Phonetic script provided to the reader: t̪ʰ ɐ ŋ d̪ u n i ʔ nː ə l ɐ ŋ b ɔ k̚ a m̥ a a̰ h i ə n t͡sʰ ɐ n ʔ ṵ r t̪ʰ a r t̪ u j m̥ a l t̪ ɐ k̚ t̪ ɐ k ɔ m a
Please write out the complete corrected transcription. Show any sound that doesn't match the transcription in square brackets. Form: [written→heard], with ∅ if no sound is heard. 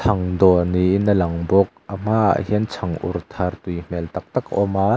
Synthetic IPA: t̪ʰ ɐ ŋ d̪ [u→ɔ] n i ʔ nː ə l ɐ ŋ b ɔ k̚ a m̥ a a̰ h i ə n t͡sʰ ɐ [n→ŋ] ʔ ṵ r t̪ʰ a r t̪ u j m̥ [a→ɛ] l t̪ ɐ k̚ t̪ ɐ k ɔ m a